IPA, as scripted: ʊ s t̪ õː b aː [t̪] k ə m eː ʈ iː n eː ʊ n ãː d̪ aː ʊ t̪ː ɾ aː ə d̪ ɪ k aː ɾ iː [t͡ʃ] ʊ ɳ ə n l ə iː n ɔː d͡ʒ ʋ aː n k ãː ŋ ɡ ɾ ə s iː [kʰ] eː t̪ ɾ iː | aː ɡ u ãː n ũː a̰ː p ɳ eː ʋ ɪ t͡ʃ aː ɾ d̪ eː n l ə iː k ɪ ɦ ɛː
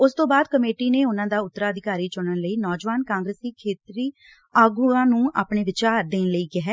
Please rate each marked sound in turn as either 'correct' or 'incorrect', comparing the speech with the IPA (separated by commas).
incorrect, correct, correct